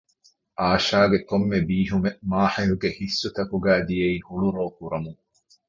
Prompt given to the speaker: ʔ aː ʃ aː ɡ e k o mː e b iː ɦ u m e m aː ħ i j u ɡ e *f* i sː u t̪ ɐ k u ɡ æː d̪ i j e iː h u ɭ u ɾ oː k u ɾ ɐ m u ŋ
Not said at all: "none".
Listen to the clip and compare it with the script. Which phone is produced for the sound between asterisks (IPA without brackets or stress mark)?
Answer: h